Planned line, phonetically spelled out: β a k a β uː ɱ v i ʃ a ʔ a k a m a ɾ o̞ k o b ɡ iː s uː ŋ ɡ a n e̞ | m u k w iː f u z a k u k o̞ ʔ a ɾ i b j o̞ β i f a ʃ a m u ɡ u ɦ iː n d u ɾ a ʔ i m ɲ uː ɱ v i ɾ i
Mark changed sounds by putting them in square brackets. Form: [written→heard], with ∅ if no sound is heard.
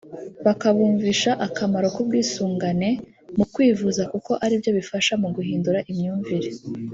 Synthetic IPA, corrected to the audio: β a k a β uː ɱ v i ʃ a ʔ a k a m a ɾ o̞ k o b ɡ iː s uː ŋ ɡ a n e̞ | m u k w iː [f→v] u z a k u k o̞ ʔ a ɾ i b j o̞ β i f a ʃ a m u ɡ u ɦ iː n d u ɾ a ʔ i m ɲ uː ɱ v i ɾ [i→e]